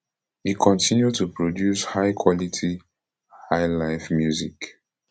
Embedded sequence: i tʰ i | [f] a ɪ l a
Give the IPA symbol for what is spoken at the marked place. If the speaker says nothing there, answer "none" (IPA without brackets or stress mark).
h